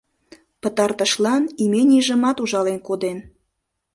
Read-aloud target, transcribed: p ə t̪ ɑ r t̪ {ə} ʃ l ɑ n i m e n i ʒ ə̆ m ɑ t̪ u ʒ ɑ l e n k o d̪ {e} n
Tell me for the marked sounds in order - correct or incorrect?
correct, correct

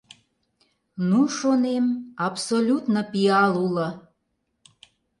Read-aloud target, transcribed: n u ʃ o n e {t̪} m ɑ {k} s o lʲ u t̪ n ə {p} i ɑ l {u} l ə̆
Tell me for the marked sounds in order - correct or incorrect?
incorrect: none, incorrect: p, correct, correct

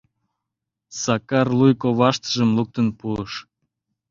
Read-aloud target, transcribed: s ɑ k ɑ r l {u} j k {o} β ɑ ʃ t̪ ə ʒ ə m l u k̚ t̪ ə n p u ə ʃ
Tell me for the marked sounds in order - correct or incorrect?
correct, correct

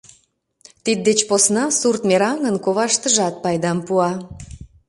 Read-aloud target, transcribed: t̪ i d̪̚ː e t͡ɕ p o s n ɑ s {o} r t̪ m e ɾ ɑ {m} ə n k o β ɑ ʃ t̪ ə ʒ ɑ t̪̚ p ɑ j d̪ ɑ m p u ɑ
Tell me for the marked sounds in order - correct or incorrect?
incorrect: u, incorrect: ŋ

